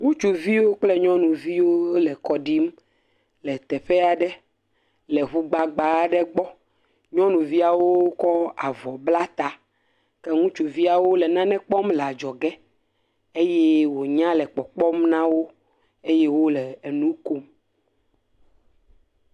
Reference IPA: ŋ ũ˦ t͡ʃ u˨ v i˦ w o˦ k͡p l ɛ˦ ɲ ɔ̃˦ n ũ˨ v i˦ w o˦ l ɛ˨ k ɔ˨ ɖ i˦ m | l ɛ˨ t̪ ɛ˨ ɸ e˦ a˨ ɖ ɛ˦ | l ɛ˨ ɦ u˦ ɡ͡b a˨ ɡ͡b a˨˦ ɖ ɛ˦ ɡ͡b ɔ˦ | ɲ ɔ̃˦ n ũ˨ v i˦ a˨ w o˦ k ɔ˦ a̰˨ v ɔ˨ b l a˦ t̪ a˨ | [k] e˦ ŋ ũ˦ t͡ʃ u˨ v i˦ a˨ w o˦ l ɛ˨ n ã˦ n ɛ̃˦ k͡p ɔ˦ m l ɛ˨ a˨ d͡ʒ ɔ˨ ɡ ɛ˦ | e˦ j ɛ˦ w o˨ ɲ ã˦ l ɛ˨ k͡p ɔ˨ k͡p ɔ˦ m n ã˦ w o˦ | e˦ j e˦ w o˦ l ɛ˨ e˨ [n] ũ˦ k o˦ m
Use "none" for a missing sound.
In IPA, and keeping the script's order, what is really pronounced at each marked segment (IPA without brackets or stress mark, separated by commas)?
k, n